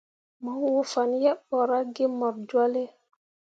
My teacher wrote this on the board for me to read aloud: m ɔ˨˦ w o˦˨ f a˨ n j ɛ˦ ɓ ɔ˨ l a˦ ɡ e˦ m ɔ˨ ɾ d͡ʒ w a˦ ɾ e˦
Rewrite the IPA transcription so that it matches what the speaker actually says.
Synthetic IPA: m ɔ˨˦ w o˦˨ f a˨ n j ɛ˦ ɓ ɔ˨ ɾ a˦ ɡ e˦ m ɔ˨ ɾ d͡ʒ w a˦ l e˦